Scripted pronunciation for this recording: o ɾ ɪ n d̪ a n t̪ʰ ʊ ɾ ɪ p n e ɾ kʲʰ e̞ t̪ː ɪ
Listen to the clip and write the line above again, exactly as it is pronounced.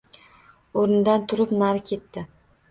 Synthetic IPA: o ɾ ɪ n d̪ a n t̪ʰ ʊ ɾ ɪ p n a ɾ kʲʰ e̞ t̪ː ɪ